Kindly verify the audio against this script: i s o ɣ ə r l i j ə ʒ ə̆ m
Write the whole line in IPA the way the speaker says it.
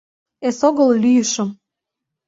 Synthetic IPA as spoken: e s o ɣ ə l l y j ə ʃ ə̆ m